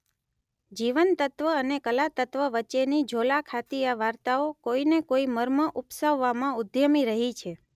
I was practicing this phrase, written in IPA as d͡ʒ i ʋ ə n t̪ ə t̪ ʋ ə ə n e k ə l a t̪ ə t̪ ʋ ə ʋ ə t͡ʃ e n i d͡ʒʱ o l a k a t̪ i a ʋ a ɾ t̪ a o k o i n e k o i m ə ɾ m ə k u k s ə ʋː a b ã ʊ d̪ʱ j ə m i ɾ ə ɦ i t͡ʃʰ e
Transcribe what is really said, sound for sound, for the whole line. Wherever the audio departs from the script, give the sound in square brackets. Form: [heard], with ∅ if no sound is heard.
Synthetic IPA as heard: d͡ʒ i ʋ ə n t̪ ə t̪ ʋ ə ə n e k ə l a t̪ ə t̪ ʋ ə ʋ ə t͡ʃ e n i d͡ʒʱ o l a [kʰ] a t̪ i a ʋ a ɾ t̪ a o k o i n e k o i m ə ɾ m ə [ʔ] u [p] s ə ʋː a [m] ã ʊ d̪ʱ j ə m i ɾ ə ɦ i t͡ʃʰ e